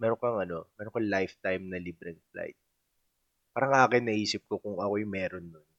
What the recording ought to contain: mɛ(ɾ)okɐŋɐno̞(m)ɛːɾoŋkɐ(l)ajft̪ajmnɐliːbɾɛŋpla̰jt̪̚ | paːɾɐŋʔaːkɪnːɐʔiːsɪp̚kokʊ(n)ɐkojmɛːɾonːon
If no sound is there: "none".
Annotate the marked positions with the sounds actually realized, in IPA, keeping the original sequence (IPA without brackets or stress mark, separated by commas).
ɾ, m, l, ŋ